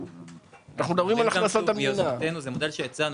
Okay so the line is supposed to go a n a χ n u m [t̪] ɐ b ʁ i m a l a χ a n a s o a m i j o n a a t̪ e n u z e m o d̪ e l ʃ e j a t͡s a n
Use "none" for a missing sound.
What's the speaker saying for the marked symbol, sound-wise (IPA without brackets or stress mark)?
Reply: d̪